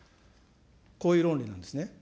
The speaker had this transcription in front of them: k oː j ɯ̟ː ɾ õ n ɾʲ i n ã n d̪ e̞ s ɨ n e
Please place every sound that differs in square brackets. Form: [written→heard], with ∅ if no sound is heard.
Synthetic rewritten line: k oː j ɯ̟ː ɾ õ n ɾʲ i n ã n d̪ e̞ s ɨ n e